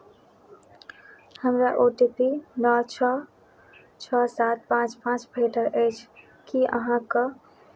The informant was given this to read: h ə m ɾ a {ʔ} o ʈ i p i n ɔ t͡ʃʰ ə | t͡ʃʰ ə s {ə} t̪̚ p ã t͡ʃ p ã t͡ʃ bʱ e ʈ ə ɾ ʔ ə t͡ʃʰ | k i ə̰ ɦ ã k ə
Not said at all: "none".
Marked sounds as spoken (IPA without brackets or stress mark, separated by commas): ʔ, a